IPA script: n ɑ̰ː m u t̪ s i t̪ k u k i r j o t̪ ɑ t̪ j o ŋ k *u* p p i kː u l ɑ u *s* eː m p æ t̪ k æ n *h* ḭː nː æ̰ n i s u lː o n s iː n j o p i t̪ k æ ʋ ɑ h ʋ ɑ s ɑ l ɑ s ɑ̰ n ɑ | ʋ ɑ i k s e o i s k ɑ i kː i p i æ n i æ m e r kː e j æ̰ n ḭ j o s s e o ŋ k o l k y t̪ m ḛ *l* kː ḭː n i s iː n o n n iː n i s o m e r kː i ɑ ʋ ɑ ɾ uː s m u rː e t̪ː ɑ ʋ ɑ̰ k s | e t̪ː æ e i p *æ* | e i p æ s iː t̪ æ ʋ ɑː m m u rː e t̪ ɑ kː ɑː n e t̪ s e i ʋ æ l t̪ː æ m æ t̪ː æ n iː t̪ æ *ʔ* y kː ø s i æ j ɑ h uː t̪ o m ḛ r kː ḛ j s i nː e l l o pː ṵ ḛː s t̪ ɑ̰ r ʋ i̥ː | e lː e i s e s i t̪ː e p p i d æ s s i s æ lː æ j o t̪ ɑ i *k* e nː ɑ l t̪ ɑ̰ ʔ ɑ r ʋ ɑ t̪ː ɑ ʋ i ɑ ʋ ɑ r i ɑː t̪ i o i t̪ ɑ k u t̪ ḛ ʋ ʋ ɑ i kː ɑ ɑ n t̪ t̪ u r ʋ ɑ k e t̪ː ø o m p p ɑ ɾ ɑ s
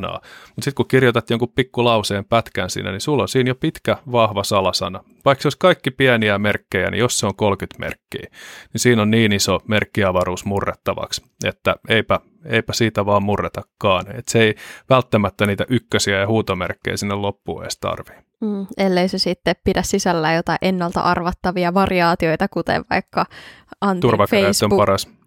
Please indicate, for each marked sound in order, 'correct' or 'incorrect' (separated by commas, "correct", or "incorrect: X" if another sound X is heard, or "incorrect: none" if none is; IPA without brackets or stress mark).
correct, correct, incorrect: s, incorrect: r, correct, correct, incorrect: ʔ